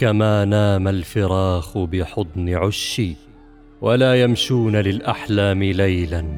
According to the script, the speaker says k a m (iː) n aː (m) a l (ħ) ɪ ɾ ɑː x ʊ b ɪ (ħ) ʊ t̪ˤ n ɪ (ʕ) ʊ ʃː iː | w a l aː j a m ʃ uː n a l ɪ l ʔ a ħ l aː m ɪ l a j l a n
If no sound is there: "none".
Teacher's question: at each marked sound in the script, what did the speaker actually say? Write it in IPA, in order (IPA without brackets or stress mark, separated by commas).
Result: aː, m, f, ħ, ʕ